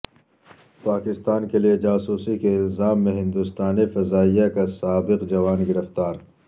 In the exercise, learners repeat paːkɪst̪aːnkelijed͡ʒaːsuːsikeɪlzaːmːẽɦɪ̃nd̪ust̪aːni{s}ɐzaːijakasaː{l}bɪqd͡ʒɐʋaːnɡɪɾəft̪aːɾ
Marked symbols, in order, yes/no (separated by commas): no, no